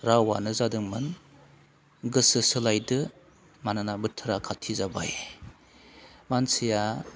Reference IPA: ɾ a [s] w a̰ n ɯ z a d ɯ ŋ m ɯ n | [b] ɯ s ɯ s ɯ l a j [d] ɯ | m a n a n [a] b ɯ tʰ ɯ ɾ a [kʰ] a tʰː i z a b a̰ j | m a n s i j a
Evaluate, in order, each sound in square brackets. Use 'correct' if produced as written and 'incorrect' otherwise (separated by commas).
incorrect, incorrect, correct, correct, correct